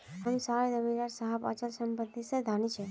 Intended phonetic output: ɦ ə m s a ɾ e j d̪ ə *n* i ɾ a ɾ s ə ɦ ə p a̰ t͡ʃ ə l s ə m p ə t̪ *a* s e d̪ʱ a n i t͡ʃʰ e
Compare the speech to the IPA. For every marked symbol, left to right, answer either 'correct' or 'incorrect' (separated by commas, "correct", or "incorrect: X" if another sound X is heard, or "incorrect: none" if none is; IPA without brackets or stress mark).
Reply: incorrect: m, incorrect: i